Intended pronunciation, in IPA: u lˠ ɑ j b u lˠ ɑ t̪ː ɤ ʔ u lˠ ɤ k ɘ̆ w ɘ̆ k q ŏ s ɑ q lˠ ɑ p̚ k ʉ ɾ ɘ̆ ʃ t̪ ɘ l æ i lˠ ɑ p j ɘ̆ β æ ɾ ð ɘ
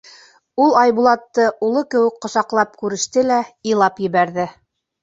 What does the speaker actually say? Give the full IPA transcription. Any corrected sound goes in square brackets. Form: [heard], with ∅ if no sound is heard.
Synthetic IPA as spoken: u lˠ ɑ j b u lˠ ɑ t̪ː ɤ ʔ u lˠ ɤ k ɘ̆ w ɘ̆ k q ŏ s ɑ q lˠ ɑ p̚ k ʉ ɾ ɘ̆ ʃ t̪ ɘ l æ i lˠ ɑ p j ɘ̆ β æ ɾ ð ɘ